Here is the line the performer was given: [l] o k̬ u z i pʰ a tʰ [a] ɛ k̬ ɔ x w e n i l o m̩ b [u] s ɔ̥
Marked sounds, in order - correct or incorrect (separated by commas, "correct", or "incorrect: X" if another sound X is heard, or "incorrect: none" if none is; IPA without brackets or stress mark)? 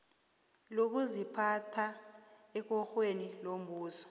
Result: correct, correct, incorrect: uː